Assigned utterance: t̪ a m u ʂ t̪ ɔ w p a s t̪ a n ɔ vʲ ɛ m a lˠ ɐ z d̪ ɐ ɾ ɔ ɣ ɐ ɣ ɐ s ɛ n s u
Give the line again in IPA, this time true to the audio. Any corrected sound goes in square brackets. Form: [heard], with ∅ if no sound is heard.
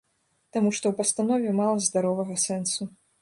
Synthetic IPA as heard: t̪ a m u ʂ t̪ ɔ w p [ɐ] s t̪ a n ɔ vʲ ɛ m a lˠ ɐ z d̪ [a] ɾ ɔ [v] ɐ ɣ ɐ s ɛ n s u